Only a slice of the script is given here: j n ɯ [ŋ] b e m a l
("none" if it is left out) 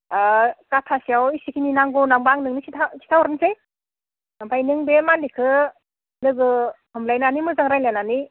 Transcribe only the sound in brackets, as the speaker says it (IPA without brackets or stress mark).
ŋ